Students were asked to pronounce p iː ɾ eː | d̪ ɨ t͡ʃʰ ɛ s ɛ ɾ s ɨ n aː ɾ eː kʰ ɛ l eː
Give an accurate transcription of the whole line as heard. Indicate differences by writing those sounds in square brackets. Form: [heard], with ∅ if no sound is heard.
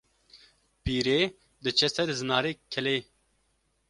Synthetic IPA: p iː ɾ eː | d̪ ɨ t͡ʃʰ ɛ s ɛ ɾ [z] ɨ n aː ɾ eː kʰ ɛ l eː